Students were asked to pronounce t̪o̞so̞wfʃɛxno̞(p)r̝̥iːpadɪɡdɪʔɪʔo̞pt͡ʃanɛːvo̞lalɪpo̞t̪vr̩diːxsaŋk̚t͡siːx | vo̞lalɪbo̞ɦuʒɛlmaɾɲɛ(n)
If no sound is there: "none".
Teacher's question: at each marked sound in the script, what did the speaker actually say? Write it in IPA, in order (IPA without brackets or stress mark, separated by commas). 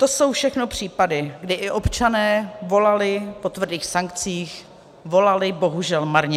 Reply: p, none